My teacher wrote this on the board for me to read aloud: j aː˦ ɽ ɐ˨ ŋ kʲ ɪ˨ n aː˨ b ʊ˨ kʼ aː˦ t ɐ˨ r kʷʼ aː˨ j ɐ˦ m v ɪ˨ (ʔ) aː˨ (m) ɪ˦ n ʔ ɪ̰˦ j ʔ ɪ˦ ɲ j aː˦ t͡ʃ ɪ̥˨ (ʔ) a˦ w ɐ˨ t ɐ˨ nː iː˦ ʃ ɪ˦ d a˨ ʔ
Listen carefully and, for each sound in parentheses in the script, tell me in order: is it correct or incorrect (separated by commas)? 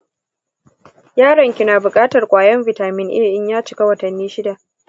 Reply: incorrect, correct, incorrect